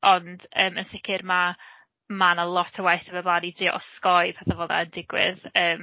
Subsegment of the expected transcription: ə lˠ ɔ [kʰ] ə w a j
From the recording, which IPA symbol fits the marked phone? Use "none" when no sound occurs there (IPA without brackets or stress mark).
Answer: tʰ